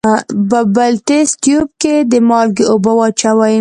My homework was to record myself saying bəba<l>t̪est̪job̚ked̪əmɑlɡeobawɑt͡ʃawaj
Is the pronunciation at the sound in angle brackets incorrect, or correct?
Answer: correct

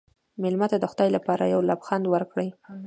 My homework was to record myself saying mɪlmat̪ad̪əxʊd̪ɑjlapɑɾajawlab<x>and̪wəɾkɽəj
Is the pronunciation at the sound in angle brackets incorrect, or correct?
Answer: correct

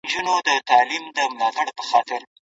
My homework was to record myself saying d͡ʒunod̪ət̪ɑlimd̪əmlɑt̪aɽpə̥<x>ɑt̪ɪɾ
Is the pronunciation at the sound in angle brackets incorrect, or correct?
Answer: correct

